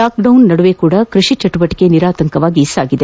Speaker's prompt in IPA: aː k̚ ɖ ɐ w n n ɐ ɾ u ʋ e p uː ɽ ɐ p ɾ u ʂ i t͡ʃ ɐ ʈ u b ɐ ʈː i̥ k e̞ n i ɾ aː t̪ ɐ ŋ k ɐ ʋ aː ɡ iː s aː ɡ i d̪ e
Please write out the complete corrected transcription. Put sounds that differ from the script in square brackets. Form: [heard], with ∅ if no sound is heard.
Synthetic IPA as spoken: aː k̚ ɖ ɐ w n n ɐ [ɽ] u ʋ e [k] uː ɽ ɐ [k] ɾ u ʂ i t͡ʃ ɐ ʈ u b ɐ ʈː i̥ k e̞ n i ɾ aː t̪ ɐ ŋ k ɐ ʋ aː ɡ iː s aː ɡ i d̪ e